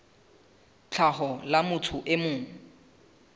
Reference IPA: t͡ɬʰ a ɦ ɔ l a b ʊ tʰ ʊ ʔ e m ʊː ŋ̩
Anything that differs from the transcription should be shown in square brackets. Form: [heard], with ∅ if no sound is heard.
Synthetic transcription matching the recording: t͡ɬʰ a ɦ ɔ l a [m] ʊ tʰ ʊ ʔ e m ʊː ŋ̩